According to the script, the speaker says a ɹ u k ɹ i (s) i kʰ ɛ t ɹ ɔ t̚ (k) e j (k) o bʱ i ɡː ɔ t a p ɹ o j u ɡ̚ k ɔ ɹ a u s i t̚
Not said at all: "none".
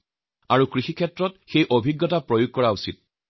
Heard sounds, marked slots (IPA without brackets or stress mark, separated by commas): x, x, ʔ